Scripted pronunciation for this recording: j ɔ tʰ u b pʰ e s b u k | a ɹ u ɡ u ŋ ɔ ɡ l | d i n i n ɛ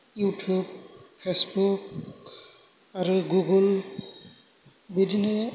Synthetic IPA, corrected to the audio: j u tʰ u b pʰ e s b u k | a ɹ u ɡ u ɡ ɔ l | b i d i n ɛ